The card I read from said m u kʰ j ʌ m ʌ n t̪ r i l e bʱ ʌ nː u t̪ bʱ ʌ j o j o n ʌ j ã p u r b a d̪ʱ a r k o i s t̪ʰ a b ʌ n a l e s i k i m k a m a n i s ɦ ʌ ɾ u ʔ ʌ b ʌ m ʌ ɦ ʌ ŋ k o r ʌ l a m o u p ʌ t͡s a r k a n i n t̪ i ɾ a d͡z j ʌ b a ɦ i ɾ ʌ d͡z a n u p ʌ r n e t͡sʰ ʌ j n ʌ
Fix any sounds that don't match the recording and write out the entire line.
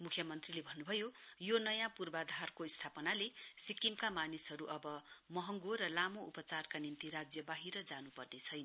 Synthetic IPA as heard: m u kʰ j ʌ m ʌ n t̪ r i l e bʱ ʌ nː u bʱ ʌ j o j o n ʌ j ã p u r b a d̪ʱ a r k o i s t̪ʰ a p ʌ n a l e s i k i m k a m a n i s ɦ ʌ ɾ u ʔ ʌ b ʌ m ʌ ɦ ʌ ŋ ɡ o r ʌ l a m o u p ʌ t͡s a r k a n i n t̪ i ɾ a d͡z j ʌ b a ɦ i ɾ ʌ d͡z a n u p ʌ r n e t͡sʰ ʌ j n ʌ